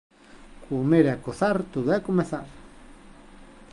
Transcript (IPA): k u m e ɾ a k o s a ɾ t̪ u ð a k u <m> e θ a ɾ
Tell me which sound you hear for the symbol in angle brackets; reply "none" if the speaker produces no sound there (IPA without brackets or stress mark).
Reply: m